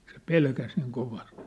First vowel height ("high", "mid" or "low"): mid